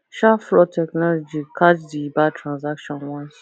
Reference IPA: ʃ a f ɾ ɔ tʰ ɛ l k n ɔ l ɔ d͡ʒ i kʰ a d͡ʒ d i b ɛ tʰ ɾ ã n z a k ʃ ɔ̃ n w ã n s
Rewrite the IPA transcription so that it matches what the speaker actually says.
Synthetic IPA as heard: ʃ a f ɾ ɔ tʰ ɛ k n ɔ l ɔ d͡ʒ i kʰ a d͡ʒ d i b a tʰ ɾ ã n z a k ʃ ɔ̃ n w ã n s